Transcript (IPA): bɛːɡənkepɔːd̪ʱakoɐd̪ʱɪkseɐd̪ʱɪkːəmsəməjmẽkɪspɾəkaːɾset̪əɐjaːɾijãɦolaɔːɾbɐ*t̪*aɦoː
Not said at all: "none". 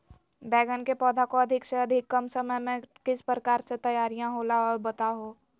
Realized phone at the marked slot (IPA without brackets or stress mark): t̪